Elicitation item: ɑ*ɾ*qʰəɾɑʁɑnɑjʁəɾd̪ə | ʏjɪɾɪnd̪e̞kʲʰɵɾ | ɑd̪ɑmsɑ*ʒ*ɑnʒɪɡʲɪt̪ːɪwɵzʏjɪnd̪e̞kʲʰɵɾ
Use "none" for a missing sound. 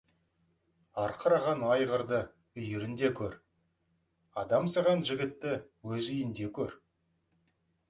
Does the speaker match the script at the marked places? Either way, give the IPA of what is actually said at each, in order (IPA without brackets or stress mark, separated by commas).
ɾ, ʁ